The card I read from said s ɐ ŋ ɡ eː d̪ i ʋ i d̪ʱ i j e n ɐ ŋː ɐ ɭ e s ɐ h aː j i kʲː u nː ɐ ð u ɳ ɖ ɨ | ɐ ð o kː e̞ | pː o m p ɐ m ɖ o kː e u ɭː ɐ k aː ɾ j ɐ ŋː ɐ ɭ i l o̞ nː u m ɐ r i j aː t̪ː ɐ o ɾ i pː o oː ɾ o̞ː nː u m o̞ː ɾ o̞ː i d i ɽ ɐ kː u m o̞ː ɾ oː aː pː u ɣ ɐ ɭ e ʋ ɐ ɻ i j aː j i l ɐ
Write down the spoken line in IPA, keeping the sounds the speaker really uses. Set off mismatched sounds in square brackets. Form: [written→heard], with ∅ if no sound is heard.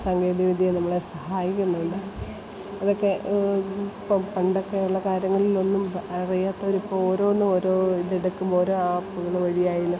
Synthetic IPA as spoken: s ɐ ŋ ɡ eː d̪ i ʋ i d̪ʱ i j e n ɐ [ŋː→mː] ɐ ɭ e s ɐ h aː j i kʲː u nː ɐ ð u ɳ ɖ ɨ | ɐ ð o kː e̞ | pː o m p ɐ [m→ɳ] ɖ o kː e u ɭː ɐ k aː ɾ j ɐ ŋː ɐ ɭ i l o̞ nː u m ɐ r i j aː t̪ː ɐ o ɾ i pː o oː ɾ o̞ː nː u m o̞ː ɾ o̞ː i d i ɽ ɐ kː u m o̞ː ɾ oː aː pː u ɣ ɐ ɭ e ʋ ɐ ɻ i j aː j i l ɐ